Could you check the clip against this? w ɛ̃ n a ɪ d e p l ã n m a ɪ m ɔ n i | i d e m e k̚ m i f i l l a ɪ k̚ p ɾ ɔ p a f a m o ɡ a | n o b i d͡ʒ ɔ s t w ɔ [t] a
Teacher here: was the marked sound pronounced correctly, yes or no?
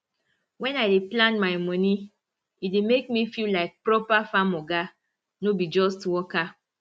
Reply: no